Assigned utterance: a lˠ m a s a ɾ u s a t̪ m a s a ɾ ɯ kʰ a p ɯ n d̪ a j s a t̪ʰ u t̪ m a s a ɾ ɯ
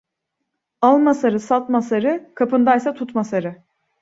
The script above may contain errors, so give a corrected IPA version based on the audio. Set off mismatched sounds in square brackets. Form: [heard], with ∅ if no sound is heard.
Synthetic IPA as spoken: a lˠ m a s a ɾ [ɯ] s a t̪ m a s a ɾ ɯ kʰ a p ɯ n d̪ a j s a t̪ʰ u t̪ m a s a ɾ ɯ